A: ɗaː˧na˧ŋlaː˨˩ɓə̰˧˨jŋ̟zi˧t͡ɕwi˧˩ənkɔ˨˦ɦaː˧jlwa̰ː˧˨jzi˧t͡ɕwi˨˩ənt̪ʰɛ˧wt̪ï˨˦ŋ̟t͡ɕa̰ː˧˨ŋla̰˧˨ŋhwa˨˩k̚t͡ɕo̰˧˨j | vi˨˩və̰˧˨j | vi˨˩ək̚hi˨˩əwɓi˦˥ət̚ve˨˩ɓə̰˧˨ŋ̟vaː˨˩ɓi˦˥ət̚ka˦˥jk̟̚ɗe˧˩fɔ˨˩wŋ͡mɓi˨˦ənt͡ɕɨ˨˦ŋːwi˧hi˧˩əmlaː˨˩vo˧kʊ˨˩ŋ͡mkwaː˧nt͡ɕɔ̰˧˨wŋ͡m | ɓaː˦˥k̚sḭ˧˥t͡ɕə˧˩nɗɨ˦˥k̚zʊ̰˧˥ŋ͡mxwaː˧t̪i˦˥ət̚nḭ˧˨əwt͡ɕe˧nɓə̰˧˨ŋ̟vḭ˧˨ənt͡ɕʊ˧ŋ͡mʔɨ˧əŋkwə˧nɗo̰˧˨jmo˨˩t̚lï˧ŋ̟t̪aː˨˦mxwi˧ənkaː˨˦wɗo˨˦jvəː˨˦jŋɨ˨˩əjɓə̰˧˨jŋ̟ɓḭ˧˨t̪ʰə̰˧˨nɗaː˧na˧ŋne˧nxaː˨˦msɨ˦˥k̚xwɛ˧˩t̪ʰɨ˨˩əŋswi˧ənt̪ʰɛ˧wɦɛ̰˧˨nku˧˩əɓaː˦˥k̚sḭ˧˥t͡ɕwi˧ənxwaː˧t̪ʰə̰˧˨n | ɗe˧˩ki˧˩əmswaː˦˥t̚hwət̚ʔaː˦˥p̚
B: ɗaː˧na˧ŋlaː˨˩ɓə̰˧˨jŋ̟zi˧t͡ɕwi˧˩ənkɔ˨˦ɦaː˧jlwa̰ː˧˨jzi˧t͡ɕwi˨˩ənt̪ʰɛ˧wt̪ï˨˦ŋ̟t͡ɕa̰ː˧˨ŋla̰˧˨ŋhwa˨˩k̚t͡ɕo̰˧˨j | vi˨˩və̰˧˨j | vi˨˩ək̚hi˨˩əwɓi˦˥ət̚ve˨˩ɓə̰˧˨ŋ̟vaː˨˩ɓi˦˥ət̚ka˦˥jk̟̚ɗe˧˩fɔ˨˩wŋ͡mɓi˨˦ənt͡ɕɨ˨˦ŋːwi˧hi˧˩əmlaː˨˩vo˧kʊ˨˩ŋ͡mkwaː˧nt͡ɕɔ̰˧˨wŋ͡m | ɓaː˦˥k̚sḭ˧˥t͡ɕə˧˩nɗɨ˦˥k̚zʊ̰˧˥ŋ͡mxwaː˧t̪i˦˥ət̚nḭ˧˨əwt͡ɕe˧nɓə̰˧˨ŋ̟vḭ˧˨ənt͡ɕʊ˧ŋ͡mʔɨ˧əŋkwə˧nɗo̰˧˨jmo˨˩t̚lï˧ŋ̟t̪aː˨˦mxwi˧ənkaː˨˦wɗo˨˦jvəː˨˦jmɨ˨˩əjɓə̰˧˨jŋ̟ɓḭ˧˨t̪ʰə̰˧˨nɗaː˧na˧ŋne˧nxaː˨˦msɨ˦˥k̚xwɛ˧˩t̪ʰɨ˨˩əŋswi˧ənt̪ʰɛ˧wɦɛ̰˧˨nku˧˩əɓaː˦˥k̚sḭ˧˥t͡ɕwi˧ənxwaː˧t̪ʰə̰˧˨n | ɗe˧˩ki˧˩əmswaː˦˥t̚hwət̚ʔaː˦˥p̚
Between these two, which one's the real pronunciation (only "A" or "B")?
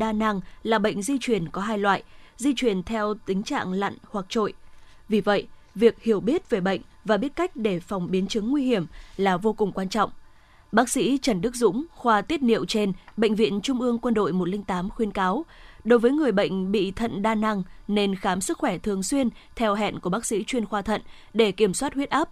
A